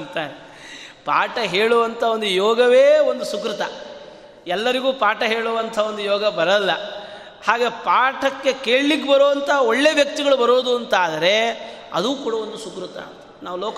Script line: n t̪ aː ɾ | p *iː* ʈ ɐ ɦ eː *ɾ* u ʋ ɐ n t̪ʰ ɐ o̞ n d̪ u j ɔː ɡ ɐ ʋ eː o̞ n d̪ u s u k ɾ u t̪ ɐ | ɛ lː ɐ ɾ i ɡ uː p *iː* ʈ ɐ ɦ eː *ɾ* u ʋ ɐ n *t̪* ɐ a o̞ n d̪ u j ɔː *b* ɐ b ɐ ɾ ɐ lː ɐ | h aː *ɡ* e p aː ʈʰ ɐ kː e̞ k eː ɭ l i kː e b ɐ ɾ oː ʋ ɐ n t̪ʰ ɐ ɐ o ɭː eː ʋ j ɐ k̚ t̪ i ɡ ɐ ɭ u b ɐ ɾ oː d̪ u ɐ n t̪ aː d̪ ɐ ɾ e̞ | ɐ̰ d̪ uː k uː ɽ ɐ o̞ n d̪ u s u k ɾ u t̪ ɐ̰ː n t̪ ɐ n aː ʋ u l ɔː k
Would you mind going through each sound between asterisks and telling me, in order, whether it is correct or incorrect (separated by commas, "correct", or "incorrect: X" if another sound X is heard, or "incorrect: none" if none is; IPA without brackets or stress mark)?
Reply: incorrect: aː, incorrect: ɭ, incorrect: aː, incorrect: ɭ, incorrect: t̪ʰ, incorrect: ɡ, correct